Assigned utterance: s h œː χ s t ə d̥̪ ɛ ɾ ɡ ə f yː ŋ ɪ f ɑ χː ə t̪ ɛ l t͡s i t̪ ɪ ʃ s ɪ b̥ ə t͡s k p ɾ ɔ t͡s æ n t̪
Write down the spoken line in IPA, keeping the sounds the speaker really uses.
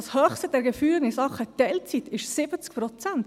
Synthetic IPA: s h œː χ s t ə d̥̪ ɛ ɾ ɡ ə f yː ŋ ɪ s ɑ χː ə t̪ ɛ l t͡s i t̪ ɪ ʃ s ɪ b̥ ə t͡s k p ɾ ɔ t͡s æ n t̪